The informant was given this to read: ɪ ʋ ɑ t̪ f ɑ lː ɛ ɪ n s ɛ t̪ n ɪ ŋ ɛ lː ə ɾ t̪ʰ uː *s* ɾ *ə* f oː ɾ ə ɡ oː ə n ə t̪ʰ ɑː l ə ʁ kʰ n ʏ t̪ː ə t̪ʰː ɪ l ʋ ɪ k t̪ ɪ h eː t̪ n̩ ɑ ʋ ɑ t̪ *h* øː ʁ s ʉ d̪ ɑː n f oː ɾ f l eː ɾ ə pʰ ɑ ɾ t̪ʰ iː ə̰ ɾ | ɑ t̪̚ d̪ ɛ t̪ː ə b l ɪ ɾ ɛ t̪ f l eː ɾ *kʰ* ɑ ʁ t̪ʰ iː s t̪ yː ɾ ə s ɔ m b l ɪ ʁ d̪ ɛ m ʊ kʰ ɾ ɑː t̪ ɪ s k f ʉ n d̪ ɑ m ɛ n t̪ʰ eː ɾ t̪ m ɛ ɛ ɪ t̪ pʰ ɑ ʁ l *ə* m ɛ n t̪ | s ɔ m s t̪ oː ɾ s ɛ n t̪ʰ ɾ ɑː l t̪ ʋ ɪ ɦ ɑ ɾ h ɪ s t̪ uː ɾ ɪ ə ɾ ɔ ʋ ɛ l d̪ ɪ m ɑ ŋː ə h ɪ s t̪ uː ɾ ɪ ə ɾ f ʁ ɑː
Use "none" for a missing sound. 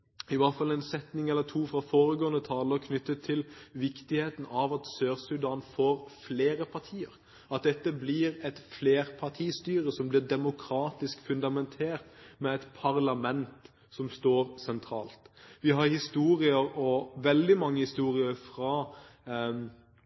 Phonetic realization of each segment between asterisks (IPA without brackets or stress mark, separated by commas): f, ɑ, s, pʰ, ɑ